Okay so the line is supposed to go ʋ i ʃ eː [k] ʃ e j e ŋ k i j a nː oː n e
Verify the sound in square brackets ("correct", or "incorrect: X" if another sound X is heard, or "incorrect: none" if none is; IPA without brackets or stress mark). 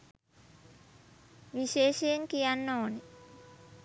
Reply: incorrect: none